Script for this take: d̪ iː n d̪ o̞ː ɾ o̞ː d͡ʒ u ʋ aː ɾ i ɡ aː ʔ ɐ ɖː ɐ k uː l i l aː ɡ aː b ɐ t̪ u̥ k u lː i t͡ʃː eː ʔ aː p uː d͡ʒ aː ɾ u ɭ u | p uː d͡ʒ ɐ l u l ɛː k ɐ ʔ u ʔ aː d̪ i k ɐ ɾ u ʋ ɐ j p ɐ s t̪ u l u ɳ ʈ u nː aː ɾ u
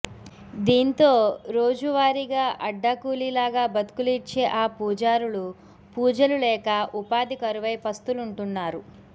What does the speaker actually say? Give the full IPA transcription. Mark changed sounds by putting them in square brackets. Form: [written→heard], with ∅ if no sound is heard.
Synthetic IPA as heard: d̪ iː n [d̪→t̪] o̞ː ɾ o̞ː d͡ʒ u ʋ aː ɾ i ɡ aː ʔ ɐ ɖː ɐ k uː l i l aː ɡ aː b ɐ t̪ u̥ k u [lː→l] i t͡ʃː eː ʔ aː p uː d͡ʒ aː ɾ u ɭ u | p uː d͡ʒ ɐ l u l ɛː k ɐ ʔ u [ʔ→p] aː d̪ i k ɐ ɾ u ʋ ɐ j p ɐ s t̪ u l u ɳ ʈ u nː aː ɾ u